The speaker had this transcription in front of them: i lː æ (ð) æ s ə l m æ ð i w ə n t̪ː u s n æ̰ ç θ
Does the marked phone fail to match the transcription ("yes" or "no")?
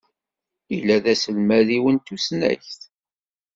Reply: no